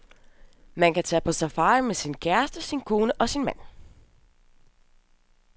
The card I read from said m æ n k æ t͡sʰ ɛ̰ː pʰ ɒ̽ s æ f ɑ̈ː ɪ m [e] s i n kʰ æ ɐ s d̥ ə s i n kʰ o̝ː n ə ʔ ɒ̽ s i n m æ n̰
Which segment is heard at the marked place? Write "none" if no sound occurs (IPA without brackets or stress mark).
e